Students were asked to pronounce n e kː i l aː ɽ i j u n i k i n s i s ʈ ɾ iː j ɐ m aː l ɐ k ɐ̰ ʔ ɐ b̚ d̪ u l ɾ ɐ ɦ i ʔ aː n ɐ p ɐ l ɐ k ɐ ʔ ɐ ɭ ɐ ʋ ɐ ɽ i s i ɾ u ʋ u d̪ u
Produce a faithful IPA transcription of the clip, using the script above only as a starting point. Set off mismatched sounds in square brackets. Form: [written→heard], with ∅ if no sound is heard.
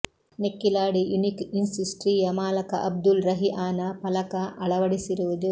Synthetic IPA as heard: n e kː i l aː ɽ i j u n i k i n s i s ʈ ɾ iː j ɐ m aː l ɐ k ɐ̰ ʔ ɐ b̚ d̪ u l ɾ ɐ ɦ i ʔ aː n ɐ p ɐ l ɐ k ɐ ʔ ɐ ɭ ɐ ʋ ɐ ɽ i s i ɾ u ʋ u d̪ u